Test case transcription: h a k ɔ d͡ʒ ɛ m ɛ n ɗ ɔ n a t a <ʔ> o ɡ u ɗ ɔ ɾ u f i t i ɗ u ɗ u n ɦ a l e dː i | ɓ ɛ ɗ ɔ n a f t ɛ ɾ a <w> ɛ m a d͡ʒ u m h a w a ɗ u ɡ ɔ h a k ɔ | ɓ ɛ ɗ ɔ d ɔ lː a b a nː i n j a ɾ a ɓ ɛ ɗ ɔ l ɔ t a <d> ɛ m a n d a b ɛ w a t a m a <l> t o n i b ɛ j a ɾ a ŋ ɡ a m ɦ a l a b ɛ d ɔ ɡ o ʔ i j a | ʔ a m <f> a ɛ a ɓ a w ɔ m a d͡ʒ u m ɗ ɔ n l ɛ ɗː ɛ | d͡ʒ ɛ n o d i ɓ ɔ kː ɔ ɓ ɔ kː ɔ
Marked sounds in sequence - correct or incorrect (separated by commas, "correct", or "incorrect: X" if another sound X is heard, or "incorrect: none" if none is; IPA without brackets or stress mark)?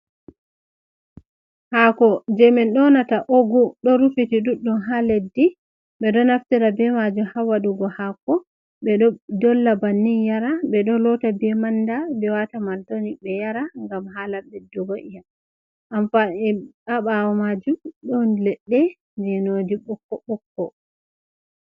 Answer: correct, incorrect: b, incorrect: b, correct, correct